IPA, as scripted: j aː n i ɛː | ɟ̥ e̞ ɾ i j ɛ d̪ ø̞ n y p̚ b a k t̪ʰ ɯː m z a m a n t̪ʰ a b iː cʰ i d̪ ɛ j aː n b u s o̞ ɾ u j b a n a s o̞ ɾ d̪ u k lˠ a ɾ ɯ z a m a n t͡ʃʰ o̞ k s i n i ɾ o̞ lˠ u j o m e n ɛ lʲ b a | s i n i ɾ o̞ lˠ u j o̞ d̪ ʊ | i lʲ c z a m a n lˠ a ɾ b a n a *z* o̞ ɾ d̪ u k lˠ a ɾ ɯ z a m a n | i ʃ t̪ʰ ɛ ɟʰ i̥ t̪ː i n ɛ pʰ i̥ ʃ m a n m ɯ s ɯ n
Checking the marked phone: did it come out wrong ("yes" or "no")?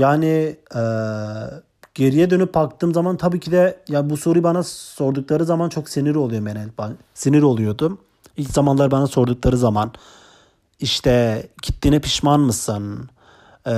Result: yes